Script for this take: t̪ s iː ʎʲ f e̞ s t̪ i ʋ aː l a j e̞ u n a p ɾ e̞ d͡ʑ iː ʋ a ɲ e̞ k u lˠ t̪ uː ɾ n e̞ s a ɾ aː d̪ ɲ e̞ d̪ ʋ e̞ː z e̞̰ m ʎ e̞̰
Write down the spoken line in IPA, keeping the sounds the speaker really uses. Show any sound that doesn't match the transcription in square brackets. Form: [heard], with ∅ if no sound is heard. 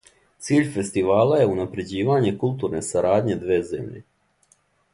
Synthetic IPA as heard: t̪ s iː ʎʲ f e̞ s t̪ i ʋ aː l a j e̞ u n a p ɾ e̞ d͡ʑ iː ʋ a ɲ e̞ k u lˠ t̪ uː ɾ n e̞ s a ɾ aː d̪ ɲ e̞ d̪ ʋ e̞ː z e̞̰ m ʎ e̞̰